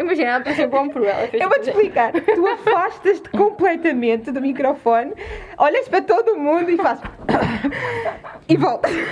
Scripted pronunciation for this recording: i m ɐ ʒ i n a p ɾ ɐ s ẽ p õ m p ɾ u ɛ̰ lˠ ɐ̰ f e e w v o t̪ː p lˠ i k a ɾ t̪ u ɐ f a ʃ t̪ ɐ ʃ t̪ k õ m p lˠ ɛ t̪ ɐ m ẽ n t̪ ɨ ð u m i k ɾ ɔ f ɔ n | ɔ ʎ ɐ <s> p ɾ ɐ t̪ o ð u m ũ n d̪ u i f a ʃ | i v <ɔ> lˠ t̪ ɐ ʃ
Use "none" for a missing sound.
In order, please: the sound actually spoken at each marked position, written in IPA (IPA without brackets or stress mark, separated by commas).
ʃ, ɔ